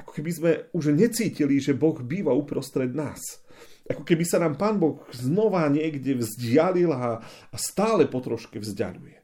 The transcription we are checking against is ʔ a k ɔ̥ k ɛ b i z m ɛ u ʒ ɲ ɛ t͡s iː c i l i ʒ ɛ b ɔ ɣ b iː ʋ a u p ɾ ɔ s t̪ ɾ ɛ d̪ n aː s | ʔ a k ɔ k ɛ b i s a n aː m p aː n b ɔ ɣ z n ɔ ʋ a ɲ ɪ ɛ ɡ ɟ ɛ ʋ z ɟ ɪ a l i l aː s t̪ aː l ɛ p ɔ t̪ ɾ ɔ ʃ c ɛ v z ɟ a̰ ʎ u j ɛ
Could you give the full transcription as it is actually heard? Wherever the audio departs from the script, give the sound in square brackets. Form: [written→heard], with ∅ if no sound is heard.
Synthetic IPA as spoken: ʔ a k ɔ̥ k ɛ b i z m ɛ u ʒ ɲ ɛ t͡s iː c i l i ʒ ɛ b ɔ ɣ b iː ʋ a u p ɾ ɔ s t̪ ɾ ɛ d̪ n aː s | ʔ a k ɔ k ɛ b i s a n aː m p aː n b ɔ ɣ z n ɔ ʋ a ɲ ɪ ɛ ɡ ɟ ɛ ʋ z ɟ ɪ a l i l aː s t̪ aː l ɛ p ɔ t̪ ɾ ɔ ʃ [c→k] ɛ v z ɟ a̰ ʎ u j ɛ